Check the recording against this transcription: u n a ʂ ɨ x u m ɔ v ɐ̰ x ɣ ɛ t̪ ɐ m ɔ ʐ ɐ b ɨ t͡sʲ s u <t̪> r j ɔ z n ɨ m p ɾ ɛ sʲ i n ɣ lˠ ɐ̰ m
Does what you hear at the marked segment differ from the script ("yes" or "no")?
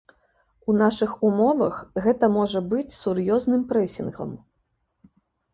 yes